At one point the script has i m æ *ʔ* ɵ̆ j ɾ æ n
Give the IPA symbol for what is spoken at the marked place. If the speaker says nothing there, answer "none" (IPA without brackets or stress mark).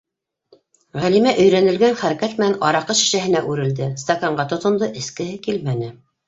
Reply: ʔ